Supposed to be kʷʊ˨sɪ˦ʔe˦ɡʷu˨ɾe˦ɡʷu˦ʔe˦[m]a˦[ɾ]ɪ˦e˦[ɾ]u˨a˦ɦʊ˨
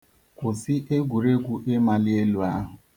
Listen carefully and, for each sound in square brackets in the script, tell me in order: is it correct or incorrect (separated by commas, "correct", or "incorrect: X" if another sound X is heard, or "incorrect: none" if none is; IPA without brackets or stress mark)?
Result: correct, incorrect: l, incorrect: l